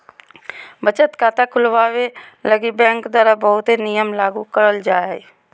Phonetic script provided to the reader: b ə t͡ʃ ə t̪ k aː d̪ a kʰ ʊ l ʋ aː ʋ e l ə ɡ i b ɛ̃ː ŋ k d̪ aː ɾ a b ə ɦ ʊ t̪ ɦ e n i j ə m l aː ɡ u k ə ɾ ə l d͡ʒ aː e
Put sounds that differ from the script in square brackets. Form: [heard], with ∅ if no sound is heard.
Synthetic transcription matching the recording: b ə t͡ʃ ə t̪ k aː [t̪] a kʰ ʊ l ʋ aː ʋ e l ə ɡ i b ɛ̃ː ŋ k d̪ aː ɾ a b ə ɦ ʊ t̪ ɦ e n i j ə m l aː ɡ u k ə ɾ ə l d͡ʒ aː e